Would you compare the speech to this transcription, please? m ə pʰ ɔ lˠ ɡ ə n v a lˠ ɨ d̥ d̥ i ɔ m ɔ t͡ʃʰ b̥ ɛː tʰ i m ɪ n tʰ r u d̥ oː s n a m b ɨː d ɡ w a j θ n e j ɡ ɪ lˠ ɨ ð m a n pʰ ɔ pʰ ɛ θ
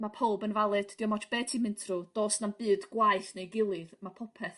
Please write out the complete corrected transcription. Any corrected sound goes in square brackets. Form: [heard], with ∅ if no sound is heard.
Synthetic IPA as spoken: m [a] pʰ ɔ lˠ [b] ə n v a lˠ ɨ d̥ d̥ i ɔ m ɔ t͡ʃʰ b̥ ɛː tʰ i m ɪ n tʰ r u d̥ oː s n a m b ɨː d ɡ w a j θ n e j ɡ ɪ lˠ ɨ ð m a [∅] pʰ ɔ pʰ ɛ θ

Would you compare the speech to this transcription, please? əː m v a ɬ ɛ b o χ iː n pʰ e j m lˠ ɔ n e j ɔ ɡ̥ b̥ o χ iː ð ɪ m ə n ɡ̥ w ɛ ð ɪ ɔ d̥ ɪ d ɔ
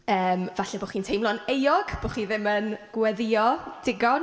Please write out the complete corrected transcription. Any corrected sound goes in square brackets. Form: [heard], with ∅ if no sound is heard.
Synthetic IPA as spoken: əː m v a ɬ ɛ b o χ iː n [tʰ] e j m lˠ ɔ n e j ɔ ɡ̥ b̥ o χ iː ð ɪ m ə n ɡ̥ w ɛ ð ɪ ɔ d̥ ɪ [ɡ] ɔ

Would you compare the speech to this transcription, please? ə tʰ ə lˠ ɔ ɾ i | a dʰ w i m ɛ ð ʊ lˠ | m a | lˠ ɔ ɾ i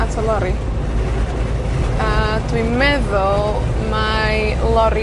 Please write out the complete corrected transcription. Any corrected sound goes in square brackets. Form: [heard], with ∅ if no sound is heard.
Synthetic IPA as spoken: [a] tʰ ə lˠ ɔ ɾ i | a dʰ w i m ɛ ð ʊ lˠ | m a | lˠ ɔ ɾ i

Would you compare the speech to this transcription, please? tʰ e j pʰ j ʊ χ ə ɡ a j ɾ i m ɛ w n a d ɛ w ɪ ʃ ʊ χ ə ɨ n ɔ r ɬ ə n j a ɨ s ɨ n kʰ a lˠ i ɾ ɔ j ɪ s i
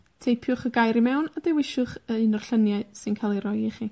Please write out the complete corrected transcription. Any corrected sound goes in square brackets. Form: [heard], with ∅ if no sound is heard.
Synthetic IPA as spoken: tʰ e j pʰ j ʊ χ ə ɡ a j ɾ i m ɛ w n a d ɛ w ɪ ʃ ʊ χ ə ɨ n ɔ r ɬ ə n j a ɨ s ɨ n kʰ a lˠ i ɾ ɔ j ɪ [χ] i

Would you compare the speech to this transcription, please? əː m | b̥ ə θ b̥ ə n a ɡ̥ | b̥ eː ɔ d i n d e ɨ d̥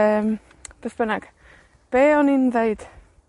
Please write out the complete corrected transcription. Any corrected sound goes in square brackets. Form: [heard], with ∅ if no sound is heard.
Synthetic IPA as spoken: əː m | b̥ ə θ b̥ ə n a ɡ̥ | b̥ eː ɔ [n] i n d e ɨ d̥

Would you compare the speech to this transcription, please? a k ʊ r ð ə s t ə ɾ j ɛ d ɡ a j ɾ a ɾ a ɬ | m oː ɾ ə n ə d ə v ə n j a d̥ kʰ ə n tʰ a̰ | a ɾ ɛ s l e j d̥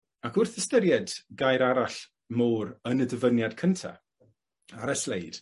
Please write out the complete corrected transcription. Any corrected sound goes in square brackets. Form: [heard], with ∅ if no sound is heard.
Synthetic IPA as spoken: a k ʊ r [θ] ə s t ə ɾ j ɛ d ɡ a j ɾ a ɾ a ɬ | m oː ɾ ə n ə d ə v ə n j a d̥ kʰ ə n tʰ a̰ | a ɾ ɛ s l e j d̥

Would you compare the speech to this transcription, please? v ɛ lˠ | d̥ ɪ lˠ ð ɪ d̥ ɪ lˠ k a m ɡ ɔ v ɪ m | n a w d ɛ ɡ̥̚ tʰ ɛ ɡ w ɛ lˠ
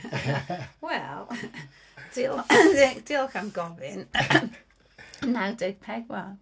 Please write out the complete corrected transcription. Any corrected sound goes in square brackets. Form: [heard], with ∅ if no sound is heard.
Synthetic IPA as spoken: [w] ɛ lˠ | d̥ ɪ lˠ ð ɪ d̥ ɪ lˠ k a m ɡ ɔ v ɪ [n] | n a w d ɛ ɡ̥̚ [pʰ] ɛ ɡ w ɛ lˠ

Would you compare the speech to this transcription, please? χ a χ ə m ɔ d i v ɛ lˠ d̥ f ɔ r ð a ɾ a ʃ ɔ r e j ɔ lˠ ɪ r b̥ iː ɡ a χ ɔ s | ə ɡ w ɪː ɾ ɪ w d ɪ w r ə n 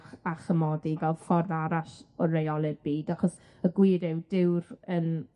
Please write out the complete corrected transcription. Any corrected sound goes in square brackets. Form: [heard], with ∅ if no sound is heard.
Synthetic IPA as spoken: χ a χ ə m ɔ d i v ɛ lˠ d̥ f ɔ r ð a ɾ a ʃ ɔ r e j ɔ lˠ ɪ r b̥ iː [d] a χ ɔ s | ə ɡ w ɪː ɾ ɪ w d ɪ w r ə n

